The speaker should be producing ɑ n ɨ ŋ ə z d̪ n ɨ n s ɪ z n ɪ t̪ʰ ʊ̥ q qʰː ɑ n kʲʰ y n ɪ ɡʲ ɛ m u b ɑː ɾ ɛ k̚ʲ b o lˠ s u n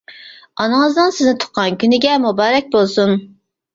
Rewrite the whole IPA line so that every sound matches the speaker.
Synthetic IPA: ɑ n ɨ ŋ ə z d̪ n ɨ n s ɪ z n ɪ t̪ʰ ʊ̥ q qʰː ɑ n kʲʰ y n ɪ ɡʲ ɛ m u b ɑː ɾ ɛ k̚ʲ b o lˠ s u n